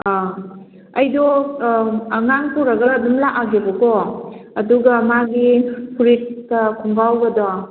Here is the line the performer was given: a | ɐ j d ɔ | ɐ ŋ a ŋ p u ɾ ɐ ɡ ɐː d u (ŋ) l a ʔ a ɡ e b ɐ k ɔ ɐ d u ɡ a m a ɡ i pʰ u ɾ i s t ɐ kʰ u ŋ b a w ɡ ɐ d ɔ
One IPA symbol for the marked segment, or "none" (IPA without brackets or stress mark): m